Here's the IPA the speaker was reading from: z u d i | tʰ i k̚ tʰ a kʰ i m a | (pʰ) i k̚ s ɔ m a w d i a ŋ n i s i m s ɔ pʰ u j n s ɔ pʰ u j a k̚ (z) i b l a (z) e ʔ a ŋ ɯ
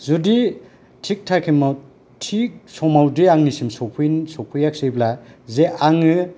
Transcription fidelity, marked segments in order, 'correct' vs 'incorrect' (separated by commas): incorrect, incorrect, correct